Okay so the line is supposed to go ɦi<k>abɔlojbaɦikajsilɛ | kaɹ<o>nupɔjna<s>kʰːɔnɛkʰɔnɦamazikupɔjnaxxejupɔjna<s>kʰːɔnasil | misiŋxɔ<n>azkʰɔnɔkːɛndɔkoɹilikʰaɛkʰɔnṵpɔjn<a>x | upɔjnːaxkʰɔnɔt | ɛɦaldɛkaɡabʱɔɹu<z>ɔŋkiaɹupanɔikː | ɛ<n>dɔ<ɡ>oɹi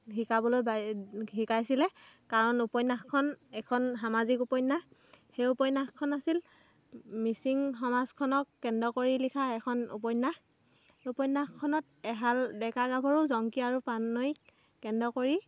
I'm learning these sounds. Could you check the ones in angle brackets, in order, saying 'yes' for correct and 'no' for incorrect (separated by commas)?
yes, no, no, no, no, yes, yes, yes, no